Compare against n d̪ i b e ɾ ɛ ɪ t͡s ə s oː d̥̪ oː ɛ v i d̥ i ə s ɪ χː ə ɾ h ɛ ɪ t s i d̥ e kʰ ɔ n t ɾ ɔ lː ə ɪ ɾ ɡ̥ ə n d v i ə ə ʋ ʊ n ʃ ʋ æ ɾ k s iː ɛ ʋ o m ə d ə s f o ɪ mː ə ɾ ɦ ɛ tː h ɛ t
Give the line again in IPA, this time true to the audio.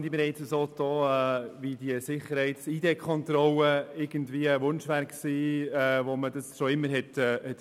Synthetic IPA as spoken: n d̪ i b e ɾ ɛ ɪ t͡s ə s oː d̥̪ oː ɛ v i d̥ i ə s ɪ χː ə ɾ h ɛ ɪ t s i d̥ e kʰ ɔ n t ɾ ɔ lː ə ɪ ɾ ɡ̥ ə n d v i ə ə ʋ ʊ n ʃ ʋ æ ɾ k s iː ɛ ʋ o m ə d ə s ʃ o ɪ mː ə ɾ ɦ ɛ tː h ɛ t